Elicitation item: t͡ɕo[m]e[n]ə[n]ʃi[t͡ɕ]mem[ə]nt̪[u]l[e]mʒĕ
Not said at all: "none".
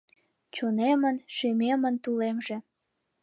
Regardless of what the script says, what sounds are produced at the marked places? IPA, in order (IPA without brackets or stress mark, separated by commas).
n, m, n, none, ə, u, e